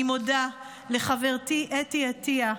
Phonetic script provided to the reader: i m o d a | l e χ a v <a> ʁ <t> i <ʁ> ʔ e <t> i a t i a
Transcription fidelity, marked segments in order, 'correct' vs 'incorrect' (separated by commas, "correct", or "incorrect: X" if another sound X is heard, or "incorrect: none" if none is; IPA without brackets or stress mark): incorrect: e, correct, incorrect: none, correct